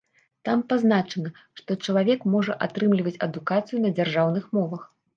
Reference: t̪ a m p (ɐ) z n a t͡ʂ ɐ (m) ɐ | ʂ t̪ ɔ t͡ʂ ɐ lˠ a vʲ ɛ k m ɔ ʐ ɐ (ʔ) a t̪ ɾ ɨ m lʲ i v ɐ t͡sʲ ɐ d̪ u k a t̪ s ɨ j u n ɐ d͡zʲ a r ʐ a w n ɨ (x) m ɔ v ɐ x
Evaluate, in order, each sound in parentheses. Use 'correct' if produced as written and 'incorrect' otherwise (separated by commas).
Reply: incorrect, incorrect, correct, correct